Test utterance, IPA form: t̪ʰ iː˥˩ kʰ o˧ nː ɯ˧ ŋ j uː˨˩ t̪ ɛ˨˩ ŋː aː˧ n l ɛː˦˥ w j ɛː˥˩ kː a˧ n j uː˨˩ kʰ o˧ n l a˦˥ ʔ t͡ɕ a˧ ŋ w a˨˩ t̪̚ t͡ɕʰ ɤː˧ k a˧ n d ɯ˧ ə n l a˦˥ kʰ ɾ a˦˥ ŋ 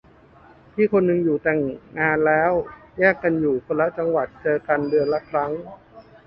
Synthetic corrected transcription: t̪ʰ iː˥˩ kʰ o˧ nː ɯ˧ ŋ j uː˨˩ t̪ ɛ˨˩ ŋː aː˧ n l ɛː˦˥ w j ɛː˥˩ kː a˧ n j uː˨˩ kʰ o˧ n l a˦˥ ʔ t͡ɕ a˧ ŋ w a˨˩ t̪̚ t͡ɕ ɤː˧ k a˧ n d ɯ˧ ə n l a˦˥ kʰ ɾ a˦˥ ŋ